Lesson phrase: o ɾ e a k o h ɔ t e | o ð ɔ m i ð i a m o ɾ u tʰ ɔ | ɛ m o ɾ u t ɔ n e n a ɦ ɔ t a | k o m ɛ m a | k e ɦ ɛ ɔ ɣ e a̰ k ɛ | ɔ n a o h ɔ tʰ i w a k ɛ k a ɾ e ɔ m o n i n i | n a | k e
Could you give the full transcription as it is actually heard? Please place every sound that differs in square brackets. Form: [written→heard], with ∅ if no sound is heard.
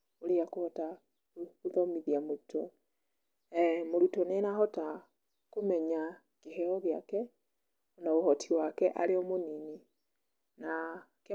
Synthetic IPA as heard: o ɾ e a k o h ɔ t [e→a] | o ð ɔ m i ð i a m o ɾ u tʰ ɔ | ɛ m o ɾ u t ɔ n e n a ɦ ɔ t a | k o m ɛ [m→ɲ] a | k e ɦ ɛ ɔ ɣ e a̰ k ɛ | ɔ n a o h ɔ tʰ i w a k ɛ [k→ʔ] a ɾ e ɔ m o n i n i | n a | k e